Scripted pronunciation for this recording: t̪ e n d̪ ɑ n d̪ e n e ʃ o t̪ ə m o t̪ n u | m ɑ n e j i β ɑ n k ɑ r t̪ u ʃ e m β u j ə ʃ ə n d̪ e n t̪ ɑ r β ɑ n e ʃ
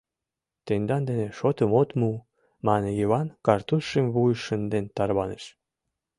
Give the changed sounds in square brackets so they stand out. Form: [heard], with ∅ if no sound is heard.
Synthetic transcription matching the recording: t̪ e n d̪ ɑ n d̪ e n e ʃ o t̪ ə m o t̪ [m] u | m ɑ n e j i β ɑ n k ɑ r t̪ u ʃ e m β u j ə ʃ ə n d̪ e n t̪ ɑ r β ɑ n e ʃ